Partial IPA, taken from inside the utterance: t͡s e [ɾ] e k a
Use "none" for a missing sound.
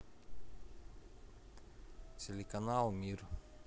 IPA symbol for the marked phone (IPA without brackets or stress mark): l